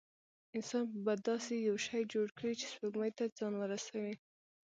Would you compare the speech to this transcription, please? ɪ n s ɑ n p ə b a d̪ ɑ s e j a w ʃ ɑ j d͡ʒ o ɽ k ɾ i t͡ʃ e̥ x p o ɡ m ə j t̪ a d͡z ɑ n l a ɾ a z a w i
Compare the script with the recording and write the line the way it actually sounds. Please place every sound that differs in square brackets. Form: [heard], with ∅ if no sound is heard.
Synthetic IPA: ɪ n s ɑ n p ə b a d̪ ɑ s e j a w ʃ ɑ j d͡ʒ o ɽ k [ɽ] i t͡ʃ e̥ [s] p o ɡ m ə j t̪ a d͡z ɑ n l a ɾ a [s] a w i